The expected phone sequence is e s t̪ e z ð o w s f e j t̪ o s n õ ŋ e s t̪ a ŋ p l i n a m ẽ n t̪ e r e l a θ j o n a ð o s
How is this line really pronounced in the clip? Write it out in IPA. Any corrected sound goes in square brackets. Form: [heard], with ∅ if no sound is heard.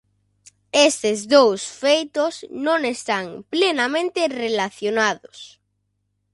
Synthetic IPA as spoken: e s t̪ e z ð o w s f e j t̪ o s n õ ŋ e s t̪ a ŋ p l [e] n a m ẽ n t̪ e r e l a θ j o n a ð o s